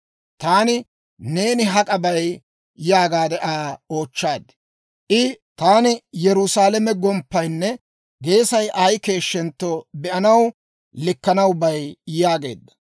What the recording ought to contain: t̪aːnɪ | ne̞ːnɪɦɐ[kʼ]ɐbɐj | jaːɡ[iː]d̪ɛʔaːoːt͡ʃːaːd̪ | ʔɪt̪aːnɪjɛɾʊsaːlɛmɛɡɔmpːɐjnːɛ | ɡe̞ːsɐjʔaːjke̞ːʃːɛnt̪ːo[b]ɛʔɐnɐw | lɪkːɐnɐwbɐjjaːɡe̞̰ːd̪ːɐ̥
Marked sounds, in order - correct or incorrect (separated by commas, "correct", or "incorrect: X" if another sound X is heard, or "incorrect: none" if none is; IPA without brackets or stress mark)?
correct, incorrect: aː, correct